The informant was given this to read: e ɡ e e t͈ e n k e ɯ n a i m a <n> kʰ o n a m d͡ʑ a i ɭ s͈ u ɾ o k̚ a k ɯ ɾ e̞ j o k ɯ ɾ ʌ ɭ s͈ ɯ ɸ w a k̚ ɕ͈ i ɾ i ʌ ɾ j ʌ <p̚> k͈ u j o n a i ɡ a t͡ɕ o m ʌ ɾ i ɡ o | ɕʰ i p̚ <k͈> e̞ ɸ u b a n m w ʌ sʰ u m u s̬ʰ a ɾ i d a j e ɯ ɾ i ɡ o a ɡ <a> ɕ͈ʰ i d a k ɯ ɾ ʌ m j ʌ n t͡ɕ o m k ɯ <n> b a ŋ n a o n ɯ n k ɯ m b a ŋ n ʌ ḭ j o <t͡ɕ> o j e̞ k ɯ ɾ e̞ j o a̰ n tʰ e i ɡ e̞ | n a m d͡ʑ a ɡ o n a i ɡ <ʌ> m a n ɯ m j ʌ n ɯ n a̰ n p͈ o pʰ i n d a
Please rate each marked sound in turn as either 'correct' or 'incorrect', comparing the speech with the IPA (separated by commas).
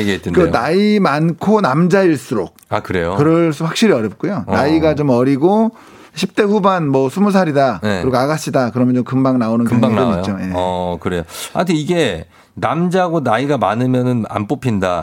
correct, correct, incorrect, correct, incorrect, correct, incorrect